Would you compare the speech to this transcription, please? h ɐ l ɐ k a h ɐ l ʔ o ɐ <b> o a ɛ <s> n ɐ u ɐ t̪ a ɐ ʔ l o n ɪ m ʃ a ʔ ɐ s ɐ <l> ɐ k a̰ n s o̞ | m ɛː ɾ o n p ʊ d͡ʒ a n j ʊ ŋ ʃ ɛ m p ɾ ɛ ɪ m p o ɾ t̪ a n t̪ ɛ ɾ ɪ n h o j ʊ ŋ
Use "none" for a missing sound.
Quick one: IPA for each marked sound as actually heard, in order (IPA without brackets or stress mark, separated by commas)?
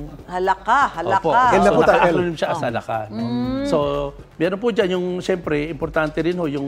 p, none, l